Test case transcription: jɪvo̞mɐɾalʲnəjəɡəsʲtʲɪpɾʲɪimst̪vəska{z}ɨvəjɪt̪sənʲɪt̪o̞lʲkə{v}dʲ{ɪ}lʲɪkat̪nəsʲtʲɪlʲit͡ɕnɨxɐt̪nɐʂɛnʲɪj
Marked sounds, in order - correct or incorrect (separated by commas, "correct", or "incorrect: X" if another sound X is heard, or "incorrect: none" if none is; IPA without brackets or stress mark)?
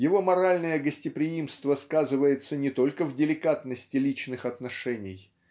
correct, correct, correct